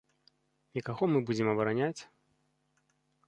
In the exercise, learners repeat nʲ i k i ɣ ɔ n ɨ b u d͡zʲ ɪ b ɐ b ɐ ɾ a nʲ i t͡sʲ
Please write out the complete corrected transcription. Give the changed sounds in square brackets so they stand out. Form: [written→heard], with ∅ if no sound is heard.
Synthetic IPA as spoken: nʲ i k [i→a] ɣ ɔ [n→m] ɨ b u d͡zʲ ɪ [b→m] ɐ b ɐ ɾ a nʲ [i→a] t͡sʲ